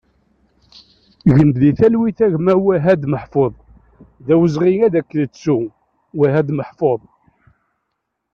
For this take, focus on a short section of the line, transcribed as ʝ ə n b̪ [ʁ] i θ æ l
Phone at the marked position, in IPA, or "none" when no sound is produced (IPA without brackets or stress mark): ð